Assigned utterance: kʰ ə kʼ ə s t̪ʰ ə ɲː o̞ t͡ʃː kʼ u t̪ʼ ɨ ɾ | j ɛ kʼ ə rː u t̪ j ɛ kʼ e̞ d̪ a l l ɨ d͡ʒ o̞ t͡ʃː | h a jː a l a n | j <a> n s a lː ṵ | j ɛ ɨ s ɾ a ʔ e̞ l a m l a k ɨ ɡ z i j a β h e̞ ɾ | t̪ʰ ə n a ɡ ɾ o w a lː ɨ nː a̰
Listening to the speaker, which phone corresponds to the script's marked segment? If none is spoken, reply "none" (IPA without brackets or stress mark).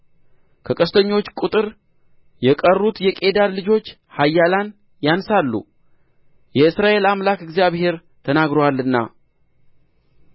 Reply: a